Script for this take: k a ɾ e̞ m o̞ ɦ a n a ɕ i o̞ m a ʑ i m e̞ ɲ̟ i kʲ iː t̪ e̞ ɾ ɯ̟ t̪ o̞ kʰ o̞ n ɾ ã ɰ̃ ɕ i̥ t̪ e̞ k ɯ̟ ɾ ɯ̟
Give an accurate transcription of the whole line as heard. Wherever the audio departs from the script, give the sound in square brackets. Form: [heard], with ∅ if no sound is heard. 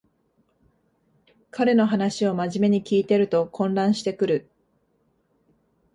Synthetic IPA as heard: k a ɾ e̞ [n] o̞ ɦ a n a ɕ i o̞ m a ʑ i m e̞ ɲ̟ i kʲ iː t̪ e̞ ɾ ɯ̟ t̪ o̞ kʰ [õ̞] n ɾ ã ɰ̃ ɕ i̥ t̪ e̞ k ɯ̟ ɾ ɯ̟

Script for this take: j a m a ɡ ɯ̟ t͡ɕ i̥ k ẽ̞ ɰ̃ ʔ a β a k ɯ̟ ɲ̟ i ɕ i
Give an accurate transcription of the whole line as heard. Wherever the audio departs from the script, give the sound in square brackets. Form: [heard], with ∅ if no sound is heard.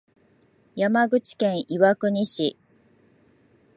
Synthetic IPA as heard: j a m a ɡ ɯ̟ t͡ɕ i̥ k ẽ̞ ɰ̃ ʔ [i] β a k ɯ̟ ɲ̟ i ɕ i

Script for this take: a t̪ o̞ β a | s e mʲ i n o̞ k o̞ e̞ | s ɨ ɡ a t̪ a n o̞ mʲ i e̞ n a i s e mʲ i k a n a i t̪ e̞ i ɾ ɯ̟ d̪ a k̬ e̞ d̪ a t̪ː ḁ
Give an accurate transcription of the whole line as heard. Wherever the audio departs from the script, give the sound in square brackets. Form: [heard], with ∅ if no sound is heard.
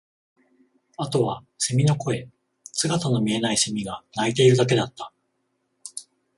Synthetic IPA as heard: a t̪ o̞ β a | s e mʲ i n o̞ k o̞ e̞ | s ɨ ɡ a t̪ a n o̞ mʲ i e̞ n a i s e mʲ i [ɡ] a n a i t̪ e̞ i ɾ ɯ̟ d̪ a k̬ e̞ d̪ a t̪ː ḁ

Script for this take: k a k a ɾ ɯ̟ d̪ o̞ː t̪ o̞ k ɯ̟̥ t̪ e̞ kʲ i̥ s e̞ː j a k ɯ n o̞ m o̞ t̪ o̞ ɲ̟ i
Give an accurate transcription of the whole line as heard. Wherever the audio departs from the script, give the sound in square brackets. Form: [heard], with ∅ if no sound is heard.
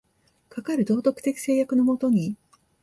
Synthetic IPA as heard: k a k a ɾ ɯ̟ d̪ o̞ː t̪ o̞ k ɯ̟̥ t̪ e̞ kʲ i̥ s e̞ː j a k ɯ n o̞ m o̞ t̪ o̞ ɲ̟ i

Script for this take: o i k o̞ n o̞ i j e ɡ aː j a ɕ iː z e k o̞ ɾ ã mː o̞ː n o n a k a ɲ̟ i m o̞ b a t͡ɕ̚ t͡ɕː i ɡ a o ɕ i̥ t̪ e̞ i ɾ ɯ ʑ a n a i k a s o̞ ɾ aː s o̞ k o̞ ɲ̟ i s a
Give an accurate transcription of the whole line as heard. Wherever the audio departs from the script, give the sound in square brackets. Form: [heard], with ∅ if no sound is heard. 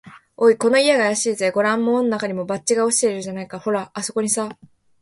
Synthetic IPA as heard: o i k o̞ n o̞ i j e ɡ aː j a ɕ iː z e [ɡ] o̞ ɾ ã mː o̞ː n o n a k a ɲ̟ i m o̞ b a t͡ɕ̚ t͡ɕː i ɡ a o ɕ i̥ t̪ e̞ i ɾ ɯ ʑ a n a i k a [h] o̞ ɾ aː s o̞ k o̞ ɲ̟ i s a

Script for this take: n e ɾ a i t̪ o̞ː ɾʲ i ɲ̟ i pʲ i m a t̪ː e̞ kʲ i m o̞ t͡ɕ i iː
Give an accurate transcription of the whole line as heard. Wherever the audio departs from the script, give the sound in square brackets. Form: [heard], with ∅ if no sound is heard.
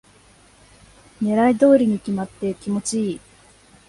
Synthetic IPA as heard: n e ɾ a i [d̪] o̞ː ɾʲ i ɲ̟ i [kʲ] i m a t̪ː e̞ kʲ i m o̞ t͡ɕ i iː

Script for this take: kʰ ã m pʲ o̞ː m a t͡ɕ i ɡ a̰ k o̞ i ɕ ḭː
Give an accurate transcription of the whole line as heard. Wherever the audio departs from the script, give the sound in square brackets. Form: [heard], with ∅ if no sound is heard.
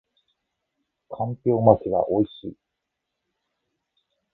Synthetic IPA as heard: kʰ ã m pʲ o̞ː m a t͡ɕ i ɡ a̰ [ʔ] o̞ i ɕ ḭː

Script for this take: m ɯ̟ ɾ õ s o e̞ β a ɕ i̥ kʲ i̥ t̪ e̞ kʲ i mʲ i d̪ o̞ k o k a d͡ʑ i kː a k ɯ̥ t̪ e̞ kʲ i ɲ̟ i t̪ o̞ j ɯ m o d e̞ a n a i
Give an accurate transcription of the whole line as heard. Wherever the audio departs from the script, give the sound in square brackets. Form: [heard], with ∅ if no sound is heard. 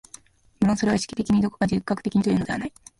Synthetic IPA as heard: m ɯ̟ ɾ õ s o e̞ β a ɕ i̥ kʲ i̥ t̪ e̞ kʲ i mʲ i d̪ o̞ k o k a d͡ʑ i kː a k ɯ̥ t̪ e̞ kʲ i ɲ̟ i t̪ o̞ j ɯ [n] o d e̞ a n a i

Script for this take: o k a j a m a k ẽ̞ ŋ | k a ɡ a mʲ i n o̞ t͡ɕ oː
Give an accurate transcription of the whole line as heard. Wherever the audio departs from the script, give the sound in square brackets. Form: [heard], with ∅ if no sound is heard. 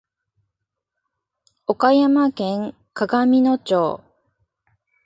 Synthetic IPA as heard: o k a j a m a k ẽ̞ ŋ | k a ɡ a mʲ i n o̞ t͡ɕ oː

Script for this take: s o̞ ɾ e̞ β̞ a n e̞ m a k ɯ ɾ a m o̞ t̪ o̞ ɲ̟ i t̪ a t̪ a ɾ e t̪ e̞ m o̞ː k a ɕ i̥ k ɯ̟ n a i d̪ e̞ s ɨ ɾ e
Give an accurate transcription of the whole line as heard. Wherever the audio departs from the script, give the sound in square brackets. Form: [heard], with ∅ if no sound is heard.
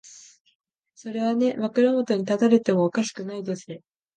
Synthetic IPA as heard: s o̞ ɾ e̞ β̞ a n e̞ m a k ɯ ɾ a m o̞ t̪ o̞ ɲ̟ i t̪ a t̪ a ɾ e t̪ e̞ m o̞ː k a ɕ i̥ k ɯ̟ n a i d̪ e̞ s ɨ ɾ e

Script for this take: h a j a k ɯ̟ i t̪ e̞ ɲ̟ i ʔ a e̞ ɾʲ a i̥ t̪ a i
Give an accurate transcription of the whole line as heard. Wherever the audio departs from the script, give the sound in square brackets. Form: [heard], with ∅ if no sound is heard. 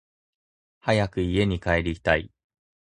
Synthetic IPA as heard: h a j a k ɯ̟ i [∅] e̞ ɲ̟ i [k] a e̞ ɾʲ [i] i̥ t̪ a i

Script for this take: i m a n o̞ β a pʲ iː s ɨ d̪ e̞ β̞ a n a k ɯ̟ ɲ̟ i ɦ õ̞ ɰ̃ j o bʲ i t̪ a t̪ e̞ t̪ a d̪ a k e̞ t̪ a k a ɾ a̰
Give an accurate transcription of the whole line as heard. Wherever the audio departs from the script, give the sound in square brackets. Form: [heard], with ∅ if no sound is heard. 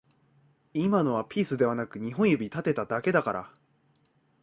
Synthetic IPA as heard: i m a n o̞ β a pʲ iː s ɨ d̪ e̞ β̞ a n a k ɯ̟ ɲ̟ i ɦ õ̞ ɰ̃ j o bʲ i t̪ a t̪ e̞ t̪ a d̪ a k e̞ [d̪] a k a ɾ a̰

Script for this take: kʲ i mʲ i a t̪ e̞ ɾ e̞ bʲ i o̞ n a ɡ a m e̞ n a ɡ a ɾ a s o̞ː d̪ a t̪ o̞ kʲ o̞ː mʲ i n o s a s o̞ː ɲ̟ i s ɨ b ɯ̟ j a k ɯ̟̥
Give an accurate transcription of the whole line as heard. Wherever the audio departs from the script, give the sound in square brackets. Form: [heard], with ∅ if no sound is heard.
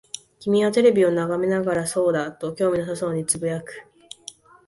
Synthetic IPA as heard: kʲ i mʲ i a t̪ e̞ ɾ e̞ bʲ i o̞ n a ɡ a m e̞ n a ɡ a ɾ a s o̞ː d̪ a t̪ o̞ kʲ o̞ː mʲ i n o s a s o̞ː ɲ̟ i [t͡s] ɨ b ɯ̟ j a k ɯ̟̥

